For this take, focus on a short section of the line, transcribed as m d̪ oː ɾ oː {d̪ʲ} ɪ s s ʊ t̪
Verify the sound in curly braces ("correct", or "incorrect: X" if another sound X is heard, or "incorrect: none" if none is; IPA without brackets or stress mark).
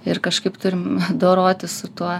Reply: incorrect: t̪ʲ